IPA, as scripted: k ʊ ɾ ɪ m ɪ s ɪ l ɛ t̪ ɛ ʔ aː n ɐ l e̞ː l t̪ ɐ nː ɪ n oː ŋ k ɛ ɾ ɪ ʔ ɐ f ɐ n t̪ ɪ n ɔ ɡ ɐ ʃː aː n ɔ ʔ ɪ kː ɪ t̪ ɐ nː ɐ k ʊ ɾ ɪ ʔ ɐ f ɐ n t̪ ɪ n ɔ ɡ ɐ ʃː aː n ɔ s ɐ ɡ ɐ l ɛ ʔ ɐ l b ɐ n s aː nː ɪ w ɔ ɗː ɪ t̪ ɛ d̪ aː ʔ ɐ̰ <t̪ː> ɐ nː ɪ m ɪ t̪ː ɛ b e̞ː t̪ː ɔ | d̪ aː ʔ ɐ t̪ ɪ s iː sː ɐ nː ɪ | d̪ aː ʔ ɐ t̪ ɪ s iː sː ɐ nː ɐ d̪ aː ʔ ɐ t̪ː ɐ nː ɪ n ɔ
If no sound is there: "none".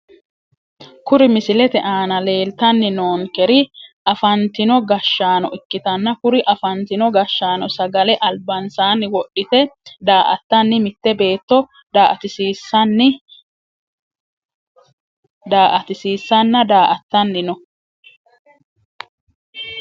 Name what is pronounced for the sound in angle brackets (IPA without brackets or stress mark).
t̪ː